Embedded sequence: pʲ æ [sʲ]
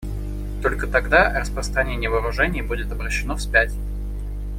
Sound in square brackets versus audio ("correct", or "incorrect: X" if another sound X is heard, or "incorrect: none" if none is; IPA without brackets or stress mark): incorrect: tʲ